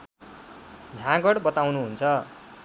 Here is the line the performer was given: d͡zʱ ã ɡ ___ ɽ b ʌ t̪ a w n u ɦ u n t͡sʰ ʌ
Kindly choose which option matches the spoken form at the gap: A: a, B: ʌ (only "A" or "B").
B